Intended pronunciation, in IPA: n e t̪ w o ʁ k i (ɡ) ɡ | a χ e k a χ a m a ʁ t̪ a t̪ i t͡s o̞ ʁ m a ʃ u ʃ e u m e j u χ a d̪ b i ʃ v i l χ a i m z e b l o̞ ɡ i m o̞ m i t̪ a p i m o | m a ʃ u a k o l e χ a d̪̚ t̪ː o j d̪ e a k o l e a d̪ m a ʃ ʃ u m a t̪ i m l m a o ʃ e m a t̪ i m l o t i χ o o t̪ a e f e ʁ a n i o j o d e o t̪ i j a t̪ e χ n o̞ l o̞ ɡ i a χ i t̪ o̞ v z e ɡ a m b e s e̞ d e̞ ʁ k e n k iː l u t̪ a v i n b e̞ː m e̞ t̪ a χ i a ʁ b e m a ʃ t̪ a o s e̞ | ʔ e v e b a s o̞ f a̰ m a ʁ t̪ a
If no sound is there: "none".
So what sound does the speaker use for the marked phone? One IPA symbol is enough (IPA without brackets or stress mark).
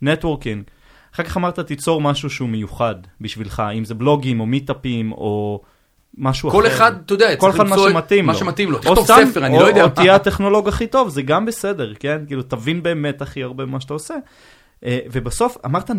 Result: ŋ